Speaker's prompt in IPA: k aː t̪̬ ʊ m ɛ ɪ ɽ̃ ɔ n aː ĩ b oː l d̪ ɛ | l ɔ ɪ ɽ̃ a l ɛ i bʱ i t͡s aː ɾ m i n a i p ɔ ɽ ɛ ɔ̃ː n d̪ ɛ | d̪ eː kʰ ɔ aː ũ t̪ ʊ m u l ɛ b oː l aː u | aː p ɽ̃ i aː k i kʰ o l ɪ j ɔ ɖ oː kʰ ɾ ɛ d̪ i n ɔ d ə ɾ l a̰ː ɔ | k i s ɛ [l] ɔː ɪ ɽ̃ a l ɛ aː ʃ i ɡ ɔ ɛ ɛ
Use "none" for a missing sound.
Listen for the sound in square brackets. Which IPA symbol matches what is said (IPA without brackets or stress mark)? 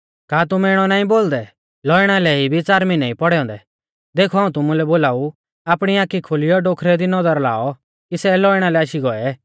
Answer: l